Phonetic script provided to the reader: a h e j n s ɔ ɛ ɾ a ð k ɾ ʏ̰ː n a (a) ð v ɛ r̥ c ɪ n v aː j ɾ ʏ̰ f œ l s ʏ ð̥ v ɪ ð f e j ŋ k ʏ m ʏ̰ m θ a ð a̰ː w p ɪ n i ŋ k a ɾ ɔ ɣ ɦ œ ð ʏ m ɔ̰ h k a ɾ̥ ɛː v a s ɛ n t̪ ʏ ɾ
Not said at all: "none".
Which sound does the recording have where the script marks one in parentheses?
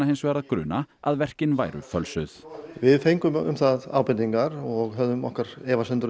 a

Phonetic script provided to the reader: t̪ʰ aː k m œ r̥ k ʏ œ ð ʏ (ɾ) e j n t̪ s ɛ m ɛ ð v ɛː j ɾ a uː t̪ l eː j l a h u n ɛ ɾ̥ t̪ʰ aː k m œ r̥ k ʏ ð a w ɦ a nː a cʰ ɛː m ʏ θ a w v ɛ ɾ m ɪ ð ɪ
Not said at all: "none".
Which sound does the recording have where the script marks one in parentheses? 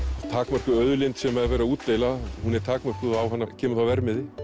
l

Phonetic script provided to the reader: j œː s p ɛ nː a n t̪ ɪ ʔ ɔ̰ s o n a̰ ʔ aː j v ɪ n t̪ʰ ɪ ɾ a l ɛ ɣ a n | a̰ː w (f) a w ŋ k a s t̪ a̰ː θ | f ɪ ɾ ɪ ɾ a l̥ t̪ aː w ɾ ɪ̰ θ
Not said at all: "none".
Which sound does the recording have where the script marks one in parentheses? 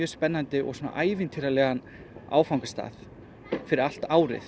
f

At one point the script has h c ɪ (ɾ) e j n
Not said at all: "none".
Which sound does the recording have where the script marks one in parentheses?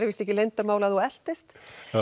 l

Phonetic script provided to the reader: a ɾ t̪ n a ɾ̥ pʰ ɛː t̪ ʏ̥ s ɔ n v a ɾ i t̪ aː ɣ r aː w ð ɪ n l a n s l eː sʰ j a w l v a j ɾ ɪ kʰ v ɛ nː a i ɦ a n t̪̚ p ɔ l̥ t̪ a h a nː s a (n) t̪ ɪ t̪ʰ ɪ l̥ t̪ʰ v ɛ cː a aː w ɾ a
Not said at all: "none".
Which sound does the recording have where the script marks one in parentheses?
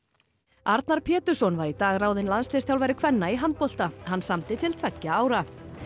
m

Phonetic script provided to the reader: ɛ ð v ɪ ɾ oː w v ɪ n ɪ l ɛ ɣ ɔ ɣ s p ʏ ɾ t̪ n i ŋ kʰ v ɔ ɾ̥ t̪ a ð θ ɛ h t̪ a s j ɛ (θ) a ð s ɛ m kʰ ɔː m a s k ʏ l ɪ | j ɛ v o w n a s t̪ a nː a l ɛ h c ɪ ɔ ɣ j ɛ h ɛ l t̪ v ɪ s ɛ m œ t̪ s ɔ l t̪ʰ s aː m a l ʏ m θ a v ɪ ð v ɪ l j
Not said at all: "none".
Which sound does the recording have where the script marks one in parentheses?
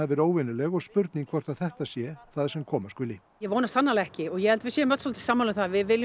θ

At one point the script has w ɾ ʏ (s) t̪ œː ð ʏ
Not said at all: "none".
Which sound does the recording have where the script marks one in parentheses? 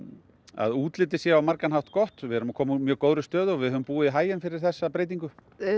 s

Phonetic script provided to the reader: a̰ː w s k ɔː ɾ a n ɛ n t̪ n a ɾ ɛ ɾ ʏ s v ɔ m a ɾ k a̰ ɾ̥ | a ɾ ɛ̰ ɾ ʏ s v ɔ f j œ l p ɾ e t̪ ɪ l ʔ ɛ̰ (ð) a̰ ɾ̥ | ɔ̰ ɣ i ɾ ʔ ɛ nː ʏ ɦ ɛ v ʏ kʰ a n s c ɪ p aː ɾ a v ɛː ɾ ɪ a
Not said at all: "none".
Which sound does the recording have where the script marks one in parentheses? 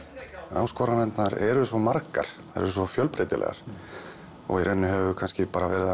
ɣ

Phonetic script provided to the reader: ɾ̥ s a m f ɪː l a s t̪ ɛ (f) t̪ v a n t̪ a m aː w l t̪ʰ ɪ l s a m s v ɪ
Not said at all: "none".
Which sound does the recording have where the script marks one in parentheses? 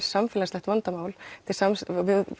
h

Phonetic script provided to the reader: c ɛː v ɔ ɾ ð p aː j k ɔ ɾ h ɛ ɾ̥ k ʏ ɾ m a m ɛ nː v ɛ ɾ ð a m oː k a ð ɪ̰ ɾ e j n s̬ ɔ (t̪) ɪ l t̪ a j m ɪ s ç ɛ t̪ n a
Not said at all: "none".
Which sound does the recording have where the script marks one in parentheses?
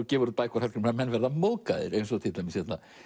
t̪ʰ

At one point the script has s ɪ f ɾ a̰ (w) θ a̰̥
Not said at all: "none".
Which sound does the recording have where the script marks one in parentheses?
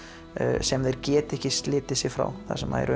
w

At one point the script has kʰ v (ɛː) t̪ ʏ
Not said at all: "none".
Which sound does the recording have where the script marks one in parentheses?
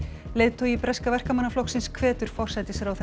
ɛː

